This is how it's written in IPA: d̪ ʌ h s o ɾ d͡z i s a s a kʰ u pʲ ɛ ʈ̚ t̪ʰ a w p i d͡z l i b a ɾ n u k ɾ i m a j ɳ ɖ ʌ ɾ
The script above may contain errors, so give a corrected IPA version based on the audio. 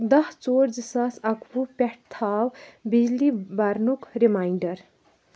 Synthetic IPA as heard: d̪ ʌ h t͡s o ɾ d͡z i s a s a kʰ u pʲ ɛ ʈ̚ t̪ʰ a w b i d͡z l i b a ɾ n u k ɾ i m a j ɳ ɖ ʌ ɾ